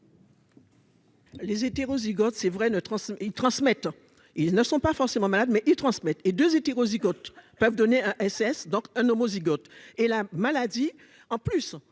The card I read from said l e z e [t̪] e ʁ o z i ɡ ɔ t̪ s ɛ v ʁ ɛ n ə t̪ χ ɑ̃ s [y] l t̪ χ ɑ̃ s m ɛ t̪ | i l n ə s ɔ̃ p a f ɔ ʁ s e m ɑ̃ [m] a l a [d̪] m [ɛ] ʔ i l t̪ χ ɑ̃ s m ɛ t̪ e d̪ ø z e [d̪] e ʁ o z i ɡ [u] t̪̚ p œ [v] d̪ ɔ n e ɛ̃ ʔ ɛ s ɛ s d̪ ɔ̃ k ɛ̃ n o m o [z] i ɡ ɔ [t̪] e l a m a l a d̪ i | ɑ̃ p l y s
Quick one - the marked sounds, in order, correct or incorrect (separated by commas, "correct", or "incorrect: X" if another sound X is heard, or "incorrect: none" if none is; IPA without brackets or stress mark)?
correct, incorrect: i, correct, correct, correct, incorrect: t̪, incorrect: ɔ, correct, correct, correct